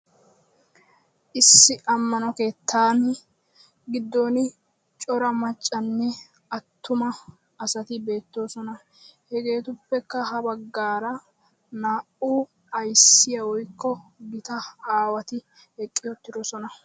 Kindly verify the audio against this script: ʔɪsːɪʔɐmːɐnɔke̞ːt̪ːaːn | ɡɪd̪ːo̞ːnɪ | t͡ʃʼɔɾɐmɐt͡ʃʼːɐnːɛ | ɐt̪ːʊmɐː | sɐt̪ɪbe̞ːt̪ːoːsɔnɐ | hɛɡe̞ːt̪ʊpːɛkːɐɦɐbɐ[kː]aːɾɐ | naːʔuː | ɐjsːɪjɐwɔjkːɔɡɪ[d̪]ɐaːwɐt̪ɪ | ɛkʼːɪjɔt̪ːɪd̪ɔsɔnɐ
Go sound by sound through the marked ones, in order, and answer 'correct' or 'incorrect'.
incorrect: ɡː, incorrect: t̪

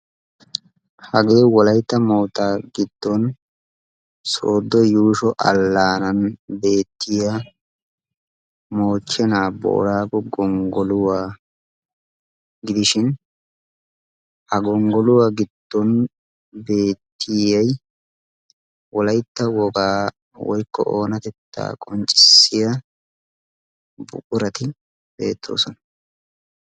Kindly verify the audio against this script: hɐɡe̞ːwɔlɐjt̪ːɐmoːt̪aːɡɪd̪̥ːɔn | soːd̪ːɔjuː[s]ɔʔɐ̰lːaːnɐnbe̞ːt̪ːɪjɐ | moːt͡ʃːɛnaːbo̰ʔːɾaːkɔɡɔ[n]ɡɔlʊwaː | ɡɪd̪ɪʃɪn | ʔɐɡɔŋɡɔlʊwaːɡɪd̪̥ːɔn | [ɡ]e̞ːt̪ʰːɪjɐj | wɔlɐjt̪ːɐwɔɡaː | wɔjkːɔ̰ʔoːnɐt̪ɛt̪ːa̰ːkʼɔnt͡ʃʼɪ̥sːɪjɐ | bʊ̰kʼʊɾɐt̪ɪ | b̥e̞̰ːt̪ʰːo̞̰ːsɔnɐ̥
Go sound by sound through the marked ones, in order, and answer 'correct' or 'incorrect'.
incorrect: ʃ, incorrect: ŋ, incorrect: b

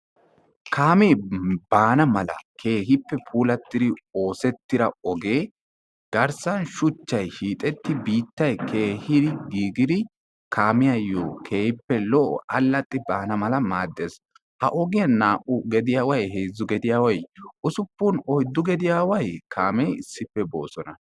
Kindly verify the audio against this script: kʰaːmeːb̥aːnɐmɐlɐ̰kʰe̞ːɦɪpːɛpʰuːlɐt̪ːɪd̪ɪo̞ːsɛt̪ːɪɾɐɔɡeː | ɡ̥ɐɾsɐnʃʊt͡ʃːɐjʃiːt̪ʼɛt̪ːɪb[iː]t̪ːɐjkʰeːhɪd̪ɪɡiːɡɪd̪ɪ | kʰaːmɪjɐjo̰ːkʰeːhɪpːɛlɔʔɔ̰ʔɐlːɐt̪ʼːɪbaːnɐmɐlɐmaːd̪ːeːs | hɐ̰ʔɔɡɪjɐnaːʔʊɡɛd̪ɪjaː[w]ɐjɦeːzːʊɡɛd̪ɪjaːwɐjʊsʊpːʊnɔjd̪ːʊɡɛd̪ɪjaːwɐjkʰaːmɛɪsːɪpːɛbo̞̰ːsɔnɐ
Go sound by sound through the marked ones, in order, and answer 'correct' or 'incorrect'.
correct, correct

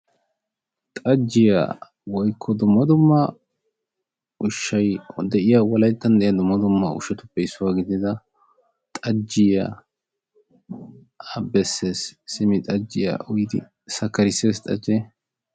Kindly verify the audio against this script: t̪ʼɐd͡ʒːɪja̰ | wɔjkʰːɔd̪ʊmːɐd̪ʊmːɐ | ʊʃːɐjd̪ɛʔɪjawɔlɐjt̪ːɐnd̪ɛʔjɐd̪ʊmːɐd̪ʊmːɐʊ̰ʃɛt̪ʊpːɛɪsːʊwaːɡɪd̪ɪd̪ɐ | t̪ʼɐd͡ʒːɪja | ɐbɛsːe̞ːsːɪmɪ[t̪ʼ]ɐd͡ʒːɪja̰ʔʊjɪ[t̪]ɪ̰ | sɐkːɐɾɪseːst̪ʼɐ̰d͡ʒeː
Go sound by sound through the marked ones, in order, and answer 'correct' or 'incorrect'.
correct, incorrect: d̪

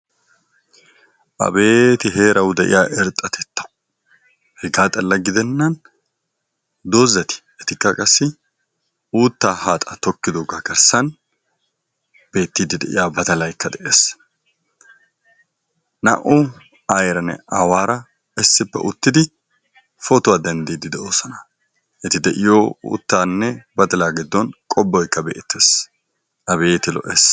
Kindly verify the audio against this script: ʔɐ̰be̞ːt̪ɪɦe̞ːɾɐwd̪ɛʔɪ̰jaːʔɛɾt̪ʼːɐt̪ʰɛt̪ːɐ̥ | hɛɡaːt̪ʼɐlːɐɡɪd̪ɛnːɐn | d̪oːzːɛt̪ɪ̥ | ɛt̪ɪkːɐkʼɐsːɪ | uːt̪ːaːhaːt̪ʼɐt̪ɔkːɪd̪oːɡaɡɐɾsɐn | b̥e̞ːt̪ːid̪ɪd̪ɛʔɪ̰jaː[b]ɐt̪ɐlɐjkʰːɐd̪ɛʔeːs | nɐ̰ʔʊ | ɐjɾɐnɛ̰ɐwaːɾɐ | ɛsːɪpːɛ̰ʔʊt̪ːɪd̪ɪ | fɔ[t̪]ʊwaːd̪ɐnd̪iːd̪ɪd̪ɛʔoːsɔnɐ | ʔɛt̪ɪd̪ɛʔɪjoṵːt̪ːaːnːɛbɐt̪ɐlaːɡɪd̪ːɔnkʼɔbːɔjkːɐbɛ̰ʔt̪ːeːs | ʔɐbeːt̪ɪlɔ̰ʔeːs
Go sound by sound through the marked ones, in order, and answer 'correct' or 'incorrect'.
correct, correct

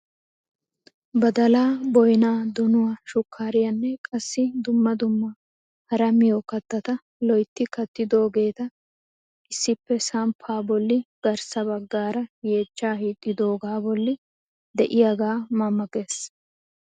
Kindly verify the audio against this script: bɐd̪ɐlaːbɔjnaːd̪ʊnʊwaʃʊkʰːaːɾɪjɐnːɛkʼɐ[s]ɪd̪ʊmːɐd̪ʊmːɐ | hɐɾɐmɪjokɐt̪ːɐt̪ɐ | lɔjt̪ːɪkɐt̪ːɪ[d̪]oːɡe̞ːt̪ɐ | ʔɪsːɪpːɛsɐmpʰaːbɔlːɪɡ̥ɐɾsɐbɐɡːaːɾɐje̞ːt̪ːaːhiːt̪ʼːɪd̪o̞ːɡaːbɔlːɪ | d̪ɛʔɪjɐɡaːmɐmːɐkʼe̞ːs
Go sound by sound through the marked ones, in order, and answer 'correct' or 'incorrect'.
incorrect: sː, correct

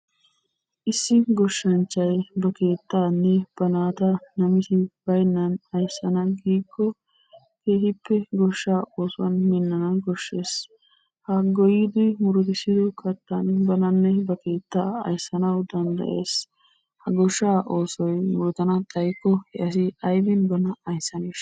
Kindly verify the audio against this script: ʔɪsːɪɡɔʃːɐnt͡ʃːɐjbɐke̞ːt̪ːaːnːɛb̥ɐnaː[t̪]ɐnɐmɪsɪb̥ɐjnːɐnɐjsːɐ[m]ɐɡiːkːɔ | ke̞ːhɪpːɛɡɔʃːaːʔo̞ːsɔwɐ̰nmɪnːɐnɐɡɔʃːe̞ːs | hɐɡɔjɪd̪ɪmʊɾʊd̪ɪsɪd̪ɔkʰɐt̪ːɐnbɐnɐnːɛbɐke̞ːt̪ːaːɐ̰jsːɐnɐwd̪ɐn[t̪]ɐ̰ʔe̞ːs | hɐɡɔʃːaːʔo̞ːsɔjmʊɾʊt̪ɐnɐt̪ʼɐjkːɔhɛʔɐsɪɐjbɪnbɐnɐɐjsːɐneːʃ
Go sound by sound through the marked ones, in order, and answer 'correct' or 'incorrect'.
correct, incorrect: n, incorrect: d̪

